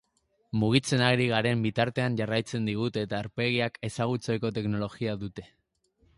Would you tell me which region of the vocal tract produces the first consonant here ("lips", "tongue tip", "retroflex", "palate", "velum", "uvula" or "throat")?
lips